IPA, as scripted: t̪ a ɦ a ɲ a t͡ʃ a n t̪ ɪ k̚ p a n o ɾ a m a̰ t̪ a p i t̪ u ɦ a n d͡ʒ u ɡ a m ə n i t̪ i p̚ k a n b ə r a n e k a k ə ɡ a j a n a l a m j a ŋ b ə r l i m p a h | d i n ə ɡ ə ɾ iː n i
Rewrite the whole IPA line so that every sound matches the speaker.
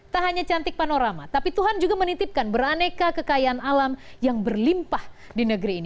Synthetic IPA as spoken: t̪ a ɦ a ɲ a t͡ʃ a n t̪ ɪ k̚ p a n o ɾ a m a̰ t̪ a p i t̪ u ɦ a n d͡ʒ u ɡ a m ə n i t̪ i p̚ k a n b ə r a n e k a k ə k a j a n a l a m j a ŋ b ə r l i m p a h | d i n ə ɡ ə ɾ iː n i